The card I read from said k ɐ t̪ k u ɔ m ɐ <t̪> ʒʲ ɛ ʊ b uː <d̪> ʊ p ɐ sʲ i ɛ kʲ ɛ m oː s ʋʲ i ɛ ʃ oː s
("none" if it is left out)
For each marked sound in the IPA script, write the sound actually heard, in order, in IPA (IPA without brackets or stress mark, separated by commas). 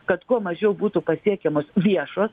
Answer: none, t̪